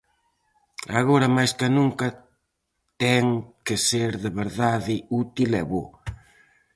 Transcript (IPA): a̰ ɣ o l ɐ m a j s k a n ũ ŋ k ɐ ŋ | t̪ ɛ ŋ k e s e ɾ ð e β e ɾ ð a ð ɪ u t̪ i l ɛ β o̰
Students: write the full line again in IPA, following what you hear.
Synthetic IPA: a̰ ɣ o ɾ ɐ m a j s k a n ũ ŋ k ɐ | t̪ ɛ ŋ k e s e ɾ ð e β e ɾ ð a ð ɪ u t̪ i l ɛ β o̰